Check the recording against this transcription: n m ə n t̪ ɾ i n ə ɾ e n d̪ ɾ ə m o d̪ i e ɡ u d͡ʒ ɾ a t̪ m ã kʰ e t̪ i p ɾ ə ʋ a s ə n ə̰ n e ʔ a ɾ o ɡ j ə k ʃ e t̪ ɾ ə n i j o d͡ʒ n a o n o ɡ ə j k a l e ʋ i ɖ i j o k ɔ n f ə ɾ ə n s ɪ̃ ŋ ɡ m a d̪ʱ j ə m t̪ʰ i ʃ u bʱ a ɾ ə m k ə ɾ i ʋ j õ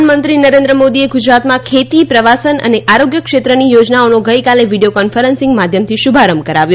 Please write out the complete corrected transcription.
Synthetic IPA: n m ə n t̪ ɾ i n ə ɾ e n d̪ ɾ ə m o d̪ i e ɡ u d͡ʒ ɾ a t̪ m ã kʰ e t̪ i p ɾ ə ʋ a s ə n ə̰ n e ʔ a ɾ o ɡ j ə k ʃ e t̪ ɾ ə n i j o d͡ʒ n a o n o ɡ ə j k a l e ʋ i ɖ i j o k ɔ n f ə ɾ ə n s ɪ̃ ŋ ɡ m a d̪ʱ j ə m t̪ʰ i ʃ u bʱ a ɾ ə m k ə ɾ a ʋ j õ